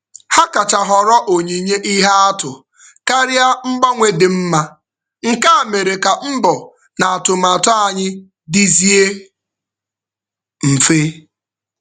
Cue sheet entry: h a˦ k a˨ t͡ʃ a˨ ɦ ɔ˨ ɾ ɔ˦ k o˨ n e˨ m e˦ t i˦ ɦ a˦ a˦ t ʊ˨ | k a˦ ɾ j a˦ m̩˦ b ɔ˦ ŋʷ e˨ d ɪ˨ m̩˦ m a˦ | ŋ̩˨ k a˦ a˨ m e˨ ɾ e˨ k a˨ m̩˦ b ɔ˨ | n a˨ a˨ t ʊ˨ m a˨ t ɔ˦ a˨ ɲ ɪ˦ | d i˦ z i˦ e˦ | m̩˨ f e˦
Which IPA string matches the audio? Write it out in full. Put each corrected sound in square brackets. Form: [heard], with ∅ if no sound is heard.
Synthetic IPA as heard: h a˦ k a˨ t͡ʃ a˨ ɦ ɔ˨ ɾ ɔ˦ [ʔ] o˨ [ɲ] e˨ [ɲ] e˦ [ʔ] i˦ ɦ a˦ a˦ t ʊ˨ | k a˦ ɾ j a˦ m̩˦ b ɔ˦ ŋʷ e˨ d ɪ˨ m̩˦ m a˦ | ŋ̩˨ k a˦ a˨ m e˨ ɾ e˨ k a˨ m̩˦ b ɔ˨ | n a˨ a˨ t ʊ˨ m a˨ t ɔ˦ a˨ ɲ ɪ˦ | d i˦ z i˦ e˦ | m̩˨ f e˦